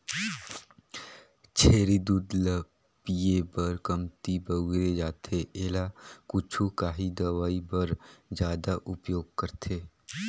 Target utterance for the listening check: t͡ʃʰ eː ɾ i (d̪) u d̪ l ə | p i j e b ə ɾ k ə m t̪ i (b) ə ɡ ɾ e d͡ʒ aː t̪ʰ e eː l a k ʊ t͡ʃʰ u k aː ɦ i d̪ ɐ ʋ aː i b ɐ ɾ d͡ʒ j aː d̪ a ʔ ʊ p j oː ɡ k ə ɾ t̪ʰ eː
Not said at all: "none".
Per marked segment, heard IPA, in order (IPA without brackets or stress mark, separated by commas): d̪, b